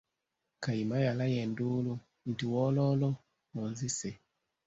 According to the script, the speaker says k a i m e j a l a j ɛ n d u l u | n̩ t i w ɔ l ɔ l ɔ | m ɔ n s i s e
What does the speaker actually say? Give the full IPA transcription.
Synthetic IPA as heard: k a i m a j a l a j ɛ n d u l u | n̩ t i w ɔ l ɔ l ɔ | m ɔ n z i s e